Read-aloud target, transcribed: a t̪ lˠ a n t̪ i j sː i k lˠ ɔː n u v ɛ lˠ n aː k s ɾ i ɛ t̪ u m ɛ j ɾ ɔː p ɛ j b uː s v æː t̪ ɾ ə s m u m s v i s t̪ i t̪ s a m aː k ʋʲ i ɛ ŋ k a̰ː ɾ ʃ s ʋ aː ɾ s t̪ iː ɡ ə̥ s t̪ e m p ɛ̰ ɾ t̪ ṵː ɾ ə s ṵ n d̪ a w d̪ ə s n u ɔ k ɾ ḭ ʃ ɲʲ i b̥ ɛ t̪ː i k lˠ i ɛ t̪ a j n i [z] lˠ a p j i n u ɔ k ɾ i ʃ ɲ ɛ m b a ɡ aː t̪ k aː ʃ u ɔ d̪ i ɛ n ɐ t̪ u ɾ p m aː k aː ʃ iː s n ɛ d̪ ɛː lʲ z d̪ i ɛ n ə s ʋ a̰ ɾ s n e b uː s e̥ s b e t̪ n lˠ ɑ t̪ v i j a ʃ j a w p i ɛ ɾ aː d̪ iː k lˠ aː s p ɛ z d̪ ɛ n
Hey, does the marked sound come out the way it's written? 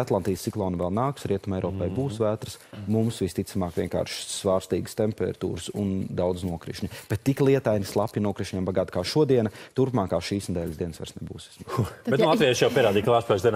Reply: no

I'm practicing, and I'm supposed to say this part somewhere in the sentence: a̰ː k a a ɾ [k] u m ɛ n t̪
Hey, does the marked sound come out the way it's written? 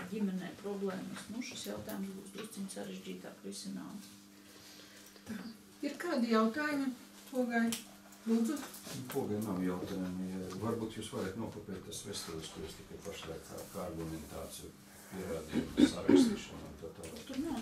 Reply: no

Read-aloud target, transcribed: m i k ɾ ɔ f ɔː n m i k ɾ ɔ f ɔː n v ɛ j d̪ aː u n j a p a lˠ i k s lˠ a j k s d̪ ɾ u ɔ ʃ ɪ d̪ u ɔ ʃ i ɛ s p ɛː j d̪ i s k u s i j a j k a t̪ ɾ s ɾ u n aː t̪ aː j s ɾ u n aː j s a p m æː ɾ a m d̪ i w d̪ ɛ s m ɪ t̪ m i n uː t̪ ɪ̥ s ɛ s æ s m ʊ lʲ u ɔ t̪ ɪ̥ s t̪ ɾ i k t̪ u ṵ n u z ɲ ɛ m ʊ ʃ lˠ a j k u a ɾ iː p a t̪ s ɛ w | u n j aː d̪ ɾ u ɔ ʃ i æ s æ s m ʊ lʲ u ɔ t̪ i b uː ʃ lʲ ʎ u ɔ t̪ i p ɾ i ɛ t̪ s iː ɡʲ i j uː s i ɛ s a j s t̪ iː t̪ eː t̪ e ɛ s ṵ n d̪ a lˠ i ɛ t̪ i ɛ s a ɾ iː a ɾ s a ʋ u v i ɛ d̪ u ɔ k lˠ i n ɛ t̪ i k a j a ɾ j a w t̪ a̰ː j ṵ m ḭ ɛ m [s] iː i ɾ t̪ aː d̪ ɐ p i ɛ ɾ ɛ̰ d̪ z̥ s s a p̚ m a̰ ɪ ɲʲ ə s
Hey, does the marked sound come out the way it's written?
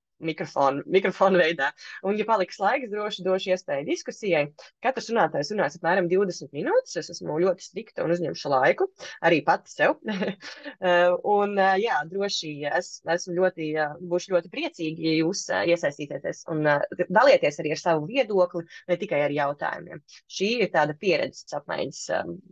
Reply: no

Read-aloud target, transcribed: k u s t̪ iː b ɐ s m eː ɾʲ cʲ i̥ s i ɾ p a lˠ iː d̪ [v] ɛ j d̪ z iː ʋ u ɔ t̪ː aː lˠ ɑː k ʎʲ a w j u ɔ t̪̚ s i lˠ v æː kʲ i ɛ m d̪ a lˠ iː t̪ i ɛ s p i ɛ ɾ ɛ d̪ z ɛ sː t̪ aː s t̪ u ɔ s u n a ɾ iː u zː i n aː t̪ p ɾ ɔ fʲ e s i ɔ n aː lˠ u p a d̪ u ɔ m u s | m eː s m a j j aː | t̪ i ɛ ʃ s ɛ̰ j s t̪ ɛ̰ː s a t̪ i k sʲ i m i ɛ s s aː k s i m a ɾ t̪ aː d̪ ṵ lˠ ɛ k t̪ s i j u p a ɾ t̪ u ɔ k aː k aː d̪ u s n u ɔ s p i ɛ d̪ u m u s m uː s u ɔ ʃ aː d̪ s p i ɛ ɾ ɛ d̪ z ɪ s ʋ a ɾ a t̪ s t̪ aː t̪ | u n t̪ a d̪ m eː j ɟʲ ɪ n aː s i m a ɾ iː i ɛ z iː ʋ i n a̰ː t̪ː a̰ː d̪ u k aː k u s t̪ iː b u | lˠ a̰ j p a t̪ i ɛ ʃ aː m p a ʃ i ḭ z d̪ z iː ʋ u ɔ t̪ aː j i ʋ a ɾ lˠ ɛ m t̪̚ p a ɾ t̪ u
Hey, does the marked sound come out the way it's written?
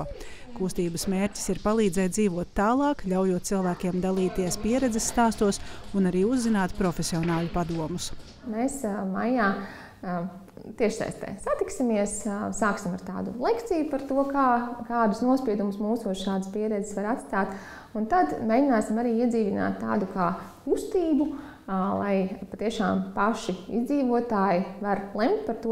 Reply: no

